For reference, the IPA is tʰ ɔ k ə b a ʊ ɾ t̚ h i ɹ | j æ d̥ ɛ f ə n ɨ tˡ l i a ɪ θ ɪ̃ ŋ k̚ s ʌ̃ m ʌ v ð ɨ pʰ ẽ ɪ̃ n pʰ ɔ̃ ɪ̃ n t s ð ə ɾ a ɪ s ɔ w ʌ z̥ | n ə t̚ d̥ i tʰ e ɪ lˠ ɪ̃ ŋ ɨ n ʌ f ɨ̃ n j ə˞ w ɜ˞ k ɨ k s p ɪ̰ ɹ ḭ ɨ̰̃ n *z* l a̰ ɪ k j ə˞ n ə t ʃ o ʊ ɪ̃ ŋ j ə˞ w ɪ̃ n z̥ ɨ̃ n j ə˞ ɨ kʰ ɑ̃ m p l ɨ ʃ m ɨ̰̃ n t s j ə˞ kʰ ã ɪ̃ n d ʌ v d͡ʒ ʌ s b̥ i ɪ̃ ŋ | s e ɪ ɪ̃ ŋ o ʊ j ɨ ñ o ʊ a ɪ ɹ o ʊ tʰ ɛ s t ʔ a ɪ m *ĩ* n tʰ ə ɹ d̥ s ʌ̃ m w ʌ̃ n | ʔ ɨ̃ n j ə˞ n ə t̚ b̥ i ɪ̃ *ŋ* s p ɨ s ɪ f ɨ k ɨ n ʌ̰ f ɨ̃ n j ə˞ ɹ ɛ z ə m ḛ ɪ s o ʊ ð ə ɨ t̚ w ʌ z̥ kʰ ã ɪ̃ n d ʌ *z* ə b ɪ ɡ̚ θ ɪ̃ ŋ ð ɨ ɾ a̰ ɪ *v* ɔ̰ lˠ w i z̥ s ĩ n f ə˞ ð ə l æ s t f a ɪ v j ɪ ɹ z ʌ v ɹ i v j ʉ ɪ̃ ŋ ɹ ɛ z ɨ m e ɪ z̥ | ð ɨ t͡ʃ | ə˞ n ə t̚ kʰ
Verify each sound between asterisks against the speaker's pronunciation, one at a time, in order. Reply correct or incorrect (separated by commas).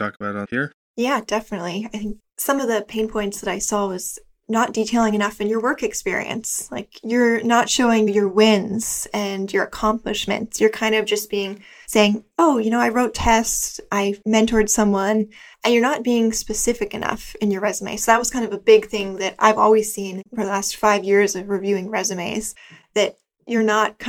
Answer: incorrect, incorrect, correct, incorrect, correct